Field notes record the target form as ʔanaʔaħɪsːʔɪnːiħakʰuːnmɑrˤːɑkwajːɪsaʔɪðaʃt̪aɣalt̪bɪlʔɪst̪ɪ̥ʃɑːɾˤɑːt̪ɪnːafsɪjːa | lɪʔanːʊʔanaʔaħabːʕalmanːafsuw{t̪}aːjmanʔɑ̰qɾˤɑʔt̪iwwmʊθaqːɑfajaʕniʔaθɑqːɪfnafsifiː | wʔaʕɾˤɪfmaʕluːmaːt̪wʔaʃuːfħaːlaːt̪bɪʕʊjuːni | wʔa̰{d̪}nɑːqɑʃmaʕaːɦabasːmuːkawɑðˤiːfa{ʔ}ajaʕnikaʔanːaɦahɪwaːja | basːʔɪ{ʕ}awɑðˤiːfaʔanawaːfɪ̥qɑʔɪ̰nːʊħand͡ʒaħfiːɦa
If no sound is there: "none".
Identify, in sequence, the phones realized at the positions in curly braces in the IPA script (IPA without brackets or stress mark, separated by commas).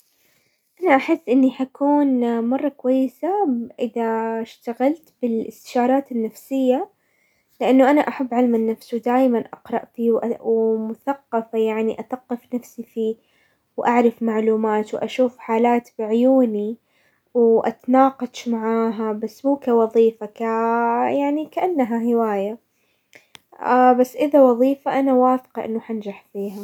d̪, t̪, k, ð